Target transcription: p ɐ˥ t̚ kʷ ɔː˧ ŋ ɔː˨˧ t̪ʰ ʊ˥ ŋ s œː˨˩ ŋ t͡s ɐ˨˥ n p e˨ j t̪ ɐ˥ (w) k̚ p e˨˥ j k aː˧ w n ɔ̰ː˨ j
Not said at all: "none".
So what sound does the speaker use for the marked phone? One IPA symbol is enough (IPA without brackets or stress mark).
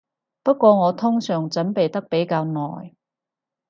none